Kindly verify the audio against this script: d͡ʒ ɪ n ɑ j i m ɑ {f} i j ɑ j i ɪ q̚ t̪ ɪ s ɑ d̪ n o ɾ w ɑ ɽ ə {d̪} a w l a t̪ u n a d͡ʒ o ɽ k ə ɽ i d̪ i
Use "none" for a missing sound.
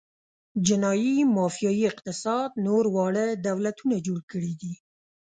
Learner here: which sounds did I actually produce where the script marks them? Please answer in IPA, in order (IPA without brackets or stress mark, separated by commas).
f, d̪